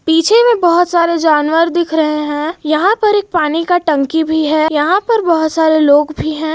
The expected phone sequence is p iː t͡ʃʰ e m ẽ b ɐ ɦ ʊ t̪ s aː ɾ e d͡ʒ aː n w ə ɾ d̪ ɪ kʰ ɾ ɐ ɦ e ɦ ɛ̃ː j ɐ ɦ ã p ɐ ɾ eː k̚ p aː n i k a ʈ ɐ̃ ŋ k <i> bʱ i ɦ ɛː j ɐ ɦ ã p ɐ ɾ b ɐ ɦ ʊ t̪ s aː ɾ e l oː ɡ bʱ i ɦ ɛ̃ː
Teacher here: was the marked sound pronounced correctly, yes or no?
yes